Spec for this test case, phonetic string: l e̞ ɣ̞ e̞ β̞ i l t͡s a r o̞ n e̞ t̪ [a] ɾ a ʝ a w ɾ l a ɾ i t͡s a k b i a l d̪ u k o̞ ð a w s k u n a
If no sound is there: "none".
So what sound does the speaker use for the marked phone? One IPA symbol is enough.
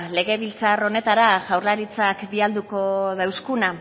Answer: a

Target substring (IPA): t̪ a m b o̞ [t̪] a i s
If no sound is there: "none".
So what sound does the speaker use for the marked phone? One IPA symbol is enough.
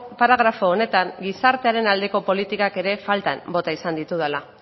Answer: t̪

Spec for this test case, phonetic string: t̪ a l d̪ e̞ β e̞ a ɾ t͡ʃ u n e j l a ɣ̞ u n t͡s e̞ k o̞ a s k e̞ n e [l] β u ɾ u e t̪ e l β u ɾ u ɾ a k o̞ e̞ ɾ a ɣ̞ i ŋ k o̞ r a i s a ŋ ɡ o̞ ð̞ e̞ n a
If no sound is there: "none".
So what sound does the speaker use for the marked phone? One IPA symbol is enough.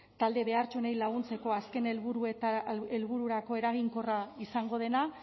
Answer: l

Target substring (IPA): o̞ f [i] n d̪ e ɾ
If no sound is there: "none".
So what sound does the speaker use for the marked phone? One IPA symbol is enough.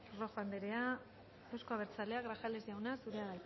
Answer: a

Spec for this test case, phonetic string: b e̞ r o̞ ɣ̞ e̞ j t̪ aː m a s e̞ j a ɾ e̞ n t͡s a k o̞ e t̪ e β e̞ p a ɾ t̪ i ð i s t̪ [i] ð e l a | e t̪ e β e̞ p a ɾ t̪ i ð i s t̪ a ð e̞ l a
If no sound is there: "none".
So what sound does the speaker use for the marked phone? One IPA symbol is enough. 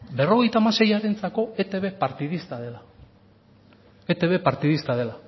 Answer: a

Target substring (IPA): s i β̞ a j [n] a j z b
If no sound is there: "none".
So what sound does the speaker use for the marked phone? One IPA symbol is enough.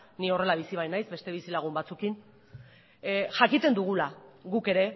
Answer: n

